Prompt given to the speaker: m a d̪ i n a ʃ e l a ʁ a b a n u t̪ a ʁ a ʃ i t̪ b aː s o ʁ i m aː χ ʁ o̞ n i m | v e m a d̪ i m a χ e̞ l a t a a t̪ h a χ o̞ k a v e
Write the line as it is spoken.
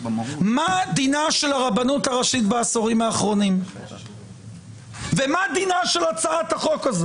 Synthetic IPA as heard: m a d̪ i n a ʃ e l a ʁ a b a n u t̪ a ʁ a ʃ i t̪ b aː s o ʁ i m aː χ ʁ o̞ n i m | v e m a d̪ i n a ʃ e̞ l a t͡s a a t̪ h a χ o̞ k a z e